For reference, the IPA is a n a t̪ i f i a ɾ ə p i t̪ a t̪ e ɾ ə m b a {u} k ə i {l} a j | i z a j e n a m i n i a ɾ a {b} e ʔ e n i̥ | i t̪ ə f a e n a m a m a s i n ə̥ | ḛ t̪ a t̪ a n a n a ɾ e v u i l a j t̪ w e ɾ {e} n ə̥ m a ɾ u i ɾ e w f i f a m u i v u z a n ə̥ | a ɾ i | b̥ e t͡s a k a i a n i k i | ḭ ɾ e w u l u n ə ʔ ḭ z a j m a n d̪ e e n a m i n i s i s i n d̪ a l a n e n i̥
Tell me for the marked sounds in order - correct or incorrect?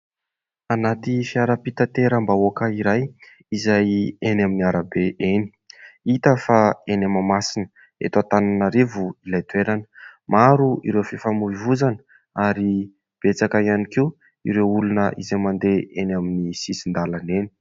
incorrect, incorrect, correct, incorrect

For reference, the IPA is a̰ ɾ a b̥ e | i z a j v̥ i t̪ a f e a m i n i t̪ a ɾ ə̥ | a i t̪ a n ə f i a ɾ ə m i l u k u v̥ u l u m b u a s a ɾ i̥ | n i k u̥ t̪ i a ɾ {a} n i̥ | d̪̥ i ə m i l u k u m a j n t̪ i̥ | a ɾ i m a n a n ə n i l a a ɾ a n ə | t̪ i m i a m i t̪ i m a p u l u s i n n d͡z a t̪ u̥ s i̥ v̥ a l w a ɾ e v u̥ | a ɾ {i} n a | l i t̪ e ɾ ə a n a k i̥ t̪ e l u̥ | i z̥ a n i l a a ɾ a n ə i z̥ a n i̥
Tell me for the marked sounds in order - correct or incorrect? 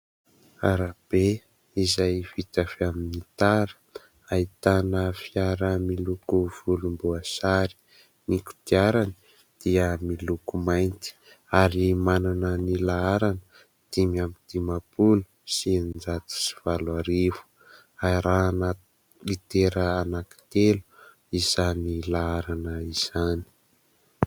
correct, incorrect

